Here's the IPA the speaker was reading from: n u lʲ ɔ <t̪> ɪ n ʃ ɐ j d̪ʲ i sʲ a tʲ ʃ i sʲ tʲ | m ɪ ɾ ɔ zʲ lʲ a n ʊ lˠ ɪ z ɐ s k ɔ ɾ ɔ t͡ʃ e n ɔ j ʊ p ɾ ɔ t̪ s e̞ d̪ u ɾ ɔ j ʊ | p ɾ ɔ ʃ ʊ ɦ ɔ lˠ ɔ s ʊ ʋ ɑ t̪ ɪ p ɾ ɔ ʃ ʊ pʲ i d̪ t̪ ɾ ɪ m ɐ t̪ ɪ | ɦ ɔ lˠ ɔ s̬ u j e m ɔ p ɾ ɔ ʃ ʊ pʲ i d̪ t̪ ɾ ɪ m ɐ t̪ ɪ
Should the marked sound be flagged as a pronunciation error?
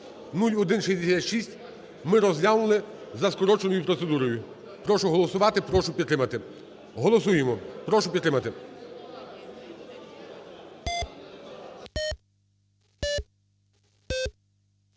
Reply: yes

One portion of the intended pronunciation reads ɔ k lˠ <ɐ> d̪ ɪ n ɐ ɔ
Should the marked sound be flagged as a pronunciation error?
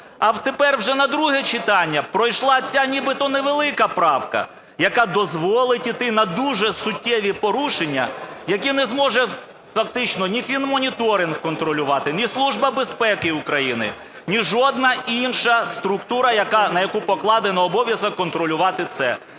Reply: yes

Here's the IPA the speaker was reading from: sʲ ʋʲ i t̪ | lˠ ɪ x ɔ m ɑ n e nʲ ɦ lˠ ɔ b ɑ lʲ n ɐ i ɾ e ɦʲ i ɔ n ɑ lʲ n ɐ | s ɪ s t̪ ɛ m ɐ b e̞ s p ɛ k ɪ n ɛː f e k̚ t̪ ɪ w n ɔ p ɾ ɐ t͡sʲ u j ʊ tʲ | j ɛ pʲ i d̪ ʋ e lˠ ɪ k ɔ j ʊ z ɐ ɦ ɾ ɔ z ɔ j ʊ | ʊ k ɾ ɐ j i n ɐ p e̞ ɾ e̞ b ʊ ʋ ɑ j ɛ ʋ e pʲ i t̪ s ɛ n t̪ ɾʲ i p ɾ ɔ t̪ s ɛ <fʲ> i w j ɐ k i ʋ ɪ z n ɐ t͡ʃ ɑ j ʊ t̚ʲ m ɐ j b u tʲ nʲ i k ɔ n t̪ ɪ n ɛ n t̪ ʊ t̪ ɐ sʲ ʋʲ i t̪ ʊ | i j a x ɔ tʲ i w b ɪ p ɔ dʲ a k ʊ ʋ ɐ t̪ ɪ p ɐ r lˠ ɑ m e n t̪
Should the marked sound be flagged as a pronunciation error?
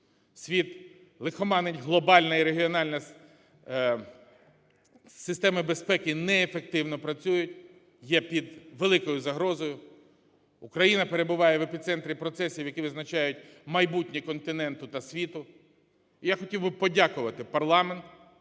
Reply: yes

